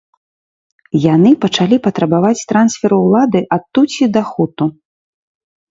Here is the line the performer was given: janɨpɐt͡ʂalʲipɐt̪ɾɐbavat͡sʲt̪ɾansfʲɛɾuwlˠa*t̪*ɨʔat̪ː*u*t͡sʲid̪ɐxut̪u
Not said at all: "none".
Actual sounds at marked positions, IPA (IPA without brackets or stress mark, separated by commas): d̪, u